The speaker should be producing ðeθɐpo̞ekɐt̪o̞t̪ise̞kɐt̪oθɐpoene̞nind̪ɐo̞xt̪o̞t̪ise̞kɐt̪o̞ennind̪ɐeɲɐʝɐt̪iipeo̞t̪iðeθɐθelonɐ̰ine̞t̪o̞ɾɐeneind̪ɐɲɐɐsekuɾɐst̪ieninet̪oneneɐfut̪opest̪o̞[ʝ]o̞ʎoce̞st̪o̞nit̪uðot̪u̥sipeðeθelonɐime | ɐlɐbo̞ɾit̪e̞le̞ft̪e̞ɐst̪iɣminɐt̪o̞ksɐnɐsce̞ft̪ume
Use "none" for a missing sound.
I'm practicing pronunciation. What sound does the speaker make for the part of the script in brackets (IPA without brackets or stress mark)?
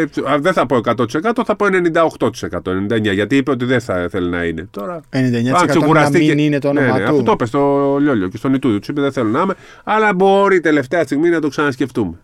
ʎ